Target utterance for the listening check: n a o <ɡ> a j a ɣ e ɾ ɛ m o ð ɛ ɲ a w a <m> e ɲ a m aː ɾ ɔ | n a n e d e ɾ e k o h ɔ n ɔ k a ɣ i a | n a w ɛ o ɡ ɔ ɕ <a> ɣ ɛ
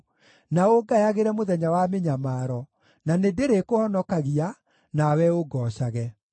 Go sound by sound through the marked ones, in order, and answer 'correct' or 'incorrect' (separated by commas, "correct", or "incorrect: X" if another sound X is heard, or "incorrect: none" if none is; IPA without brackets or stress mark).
correct, correct, correct